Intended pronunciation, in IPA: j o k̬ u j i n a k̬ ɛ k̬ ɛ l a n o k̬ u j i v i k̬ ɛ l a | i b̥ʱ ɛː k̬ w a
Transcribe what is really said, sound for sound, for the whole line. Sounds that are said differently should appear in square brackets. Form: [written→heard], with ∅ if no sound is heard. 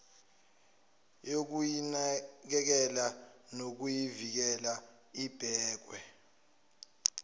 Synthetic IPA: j o k̬ u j i n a k̬ ɛ k̬ ɛ l a n o k̬ u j i v i k̬ ɛ l a | i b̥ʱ ɛː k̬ w [a→ɛ]